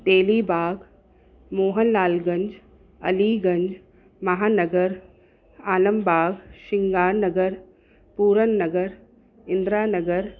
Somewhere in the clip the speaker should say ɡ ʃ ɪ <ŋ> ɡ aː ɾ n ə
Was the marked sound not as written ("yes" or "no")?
no